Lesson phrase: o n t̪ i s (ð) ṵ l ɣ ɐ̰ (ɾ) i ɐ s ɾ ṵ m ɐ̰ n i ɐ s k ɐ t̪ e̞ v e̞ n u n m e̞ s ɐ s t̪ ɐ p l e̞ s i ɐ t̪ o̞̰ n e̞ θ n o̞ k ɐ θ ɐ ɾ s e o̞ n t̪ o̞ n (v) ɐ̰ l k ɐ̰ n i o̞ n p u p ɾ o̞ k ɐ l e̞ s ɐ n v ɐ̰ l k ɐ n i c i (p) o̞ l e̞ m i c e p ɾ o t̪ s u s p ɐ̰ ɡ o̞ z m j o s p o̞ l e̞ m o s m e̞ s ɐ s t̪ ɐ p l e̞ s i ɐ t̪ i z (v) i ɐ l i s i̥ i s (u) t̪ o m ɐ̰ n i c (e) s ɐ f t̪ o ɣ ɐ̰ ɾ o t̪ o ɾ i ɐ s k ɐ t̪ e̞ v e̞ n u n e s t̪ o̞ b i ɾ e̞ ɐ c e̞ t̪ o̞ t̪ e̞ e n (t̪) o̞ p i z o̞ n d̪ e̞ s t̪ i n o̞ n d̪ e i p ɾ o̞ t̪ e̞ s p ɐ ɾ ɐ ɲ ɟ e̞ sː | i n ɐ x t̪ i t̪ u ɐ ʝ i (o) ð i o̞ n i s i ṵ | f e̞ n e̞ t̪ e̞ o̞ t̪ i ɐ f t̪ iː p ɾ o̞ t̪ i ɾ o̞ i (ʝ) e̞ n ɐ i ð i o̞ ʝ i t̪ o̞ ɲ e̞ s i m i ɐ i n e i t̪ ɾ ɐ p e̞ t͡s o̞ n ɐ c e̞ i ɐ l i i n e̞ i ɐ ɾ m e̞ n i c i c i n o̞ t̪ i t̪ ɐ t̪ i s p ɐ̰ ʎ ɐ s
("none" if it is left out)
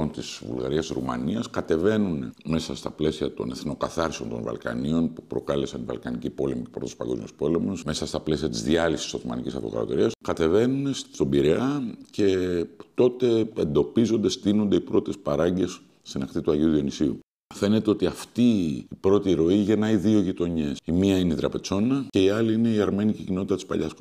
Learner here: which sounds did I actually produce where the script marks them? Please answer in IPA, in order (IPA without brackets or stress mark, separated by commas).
v, ɾ, v, p, ð, o, i, d̪, u, ʝ